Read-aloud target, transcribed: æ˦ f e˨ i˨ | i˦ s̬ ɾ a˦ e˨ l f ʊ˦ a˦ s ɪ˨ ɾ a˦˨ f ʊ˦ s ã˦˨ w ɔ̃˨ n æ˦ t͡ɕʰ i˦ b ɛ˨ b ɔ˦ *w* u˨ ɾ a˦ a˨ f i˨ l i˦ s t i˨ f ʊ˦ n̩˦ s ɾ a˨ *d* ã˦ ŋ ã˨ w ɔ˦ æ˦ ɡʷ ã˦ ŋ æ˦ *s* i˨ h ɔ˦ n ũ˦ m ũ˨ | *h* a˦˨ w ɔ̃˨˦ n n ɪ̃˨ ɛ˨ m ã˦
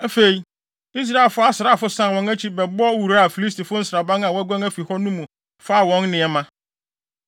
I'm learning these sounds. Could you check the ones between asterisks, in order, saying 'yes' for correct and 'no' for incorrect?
yes, no, no, no

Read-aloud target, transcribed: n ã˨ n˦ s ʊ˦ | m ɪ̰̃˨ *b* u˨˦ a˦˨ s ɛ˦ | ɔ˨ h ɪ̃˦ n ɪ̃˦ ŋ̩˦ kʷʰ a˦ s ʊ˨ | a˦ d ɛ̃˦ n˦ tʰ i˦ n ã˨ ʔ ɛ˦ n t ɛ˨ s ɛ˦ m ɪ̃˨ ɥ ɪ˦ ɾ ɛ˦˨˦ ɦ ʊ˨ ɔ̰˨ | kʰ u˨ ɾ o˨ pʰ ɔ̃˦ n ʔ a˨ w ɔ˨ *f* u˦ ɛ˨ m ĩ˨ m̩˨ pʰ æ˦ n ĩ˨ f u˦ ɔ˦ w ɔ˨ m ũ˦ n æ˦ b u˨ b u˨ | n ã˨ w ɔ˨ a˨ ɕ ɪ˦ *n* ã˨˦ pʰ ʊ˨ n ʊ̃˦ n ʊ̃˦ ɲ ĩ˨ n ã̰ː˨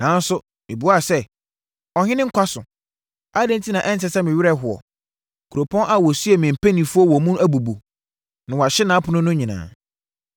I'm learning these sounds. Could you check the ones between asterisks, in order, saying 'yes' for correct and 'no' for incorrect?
yes, no, yes

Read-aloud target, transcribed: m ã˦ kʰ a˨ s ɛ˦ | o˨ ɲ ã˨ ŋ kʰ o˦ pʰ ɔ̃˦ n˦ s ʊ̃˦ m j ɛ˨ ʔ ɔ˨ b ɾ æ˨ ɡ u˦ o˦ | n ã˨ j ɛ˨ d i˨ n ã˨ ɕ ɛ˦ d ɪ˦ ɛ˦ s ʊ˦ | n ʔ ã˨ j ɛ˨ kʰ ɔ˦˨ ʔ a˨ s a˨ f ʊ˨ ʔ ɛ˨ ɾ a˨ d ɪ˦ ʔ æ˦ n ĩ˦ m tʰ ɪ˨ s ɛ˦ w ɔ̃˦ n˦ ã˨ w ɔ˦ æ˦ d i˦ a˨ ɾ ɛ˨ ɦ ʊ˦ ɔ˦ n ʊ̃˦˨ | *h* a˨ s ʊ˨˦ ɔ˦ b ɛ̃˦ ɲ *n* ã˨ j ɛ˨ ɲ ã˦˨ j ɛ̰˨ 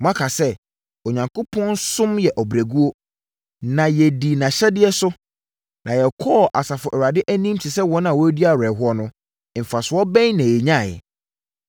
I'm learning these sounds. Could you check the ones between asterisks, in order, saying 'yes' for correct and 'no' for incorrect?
no, yes

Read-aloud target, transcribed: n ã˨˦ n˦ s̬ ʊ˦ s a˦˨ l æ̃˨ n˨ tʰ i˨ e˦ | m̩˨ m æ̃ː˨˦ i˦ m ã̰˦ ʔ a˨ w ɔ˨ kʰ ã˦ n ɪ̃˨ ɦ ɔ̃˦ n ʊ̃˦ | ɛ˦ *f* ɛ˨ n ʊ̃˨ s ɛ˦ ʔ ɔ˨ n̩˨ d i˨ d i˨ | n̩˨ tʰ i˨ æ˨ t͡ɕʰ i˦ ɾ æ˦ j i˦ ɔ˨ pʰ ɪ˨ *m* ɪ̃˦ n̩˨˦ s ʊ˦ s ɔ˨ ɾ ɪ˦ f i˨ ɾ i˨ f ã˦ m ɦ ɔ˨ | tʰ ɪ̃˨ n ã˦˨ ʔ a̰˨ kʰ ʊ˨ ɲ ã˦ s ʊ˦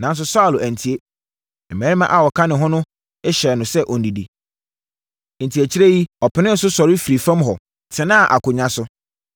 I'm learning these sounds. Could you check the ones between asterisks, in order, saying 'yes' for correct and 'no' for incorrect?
no, no

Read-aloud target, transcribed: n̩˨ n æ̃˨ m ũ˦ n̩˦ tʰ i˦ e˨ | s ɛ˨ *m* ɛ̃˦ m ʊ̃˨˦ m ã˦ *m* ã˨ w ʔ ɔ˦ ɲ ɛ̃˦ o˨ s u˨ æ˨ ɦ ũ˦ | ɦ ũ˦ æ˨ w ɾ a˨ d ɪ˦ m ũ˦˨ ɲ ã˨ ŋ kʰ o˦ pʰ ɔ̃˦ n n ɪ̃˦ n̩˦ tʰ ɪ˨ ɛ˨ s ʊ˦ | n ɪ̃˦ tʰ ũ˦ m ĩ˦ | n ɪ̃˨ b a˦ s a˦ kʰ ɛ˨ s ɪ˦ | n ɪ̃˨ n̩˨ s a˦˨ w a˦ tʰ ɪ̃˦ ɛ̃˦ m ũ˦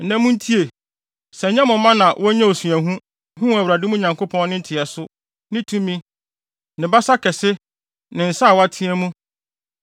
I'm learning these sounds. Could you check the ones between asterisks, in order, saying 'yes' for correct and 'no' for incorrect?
no, no

